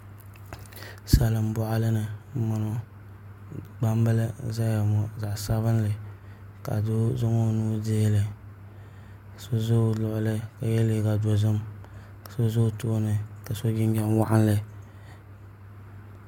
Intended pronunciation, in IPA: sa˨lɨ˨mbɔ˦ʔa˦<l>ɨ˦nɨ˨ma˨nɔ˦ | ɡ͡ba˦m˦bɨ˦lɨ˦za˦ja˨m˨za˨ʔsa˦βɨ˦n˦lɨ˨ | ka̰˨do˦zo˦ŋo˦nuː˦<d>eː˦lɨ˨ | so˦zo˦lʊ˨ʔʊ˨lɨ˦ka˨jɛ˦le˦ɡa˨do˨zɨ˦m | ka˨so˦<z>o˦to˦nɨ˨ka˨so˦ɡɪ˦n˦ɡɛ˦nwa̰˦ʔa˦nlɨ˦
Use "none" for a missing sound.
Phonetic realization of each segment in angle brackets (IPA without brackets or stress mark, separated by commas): l, d, z